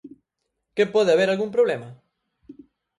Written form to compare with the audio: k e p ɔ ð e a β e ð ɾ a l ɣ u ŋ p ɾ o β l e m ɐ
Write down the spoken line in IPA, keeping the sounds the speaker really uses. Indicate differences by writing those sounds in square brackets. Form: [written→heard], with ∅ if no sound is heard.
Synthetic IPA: k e p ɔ ð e a β e [ð→∅] ɾ a l ɣ u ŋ p ɾ o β l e m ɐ